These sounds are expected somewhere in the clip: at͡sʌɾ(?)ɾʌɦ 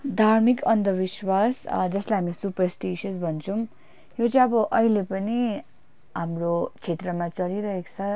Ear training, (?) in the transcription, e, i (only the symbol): i